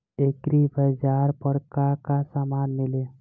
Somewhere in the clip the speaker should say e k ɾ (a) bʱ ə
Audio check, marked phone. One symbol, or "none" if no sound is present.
i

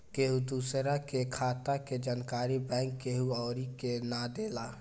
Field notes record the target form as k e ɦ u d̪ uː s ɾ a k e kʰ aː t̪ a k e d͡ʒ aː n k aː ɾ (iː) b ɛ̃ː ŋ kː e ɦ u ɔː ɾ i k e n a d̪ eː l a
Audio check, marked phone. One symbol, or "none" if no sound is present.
i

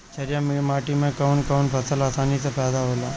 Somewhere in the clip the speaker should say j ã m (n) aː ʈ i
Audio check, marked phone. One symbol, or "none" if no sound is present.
m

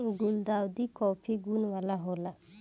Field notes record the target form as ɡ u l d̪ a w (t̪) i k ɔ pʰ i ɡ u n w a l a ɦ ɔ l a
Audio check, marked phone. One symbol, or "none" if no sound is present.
d̪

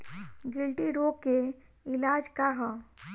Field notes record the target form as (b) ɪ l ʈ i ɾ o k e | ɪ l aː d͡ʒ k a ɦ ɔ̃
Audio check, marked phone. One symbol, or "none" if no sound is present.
ɡ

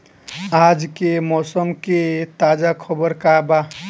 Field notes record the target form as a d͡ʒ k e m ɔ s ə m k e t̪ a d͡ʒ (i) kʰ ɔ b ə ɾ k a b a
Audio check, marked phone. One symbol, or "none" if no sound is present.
a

